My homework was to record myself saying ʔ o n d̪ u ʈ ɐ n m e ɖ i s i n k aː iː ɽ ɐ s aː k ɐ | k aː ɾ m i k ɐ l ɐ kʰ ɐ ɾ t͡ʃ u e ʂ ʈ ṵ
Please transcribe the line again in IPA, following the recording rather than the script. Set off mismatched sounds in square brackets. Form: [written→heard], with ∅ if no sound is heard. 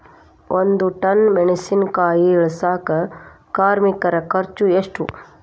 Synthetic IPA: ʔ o n d̪ u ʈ ɐ n m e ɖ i s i n k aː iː [ɽ→ɭ] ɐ s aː k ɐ | k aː ɾ m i k ɐ [l→ɾ] ɐ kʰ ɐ ɾ t͡ʃ u e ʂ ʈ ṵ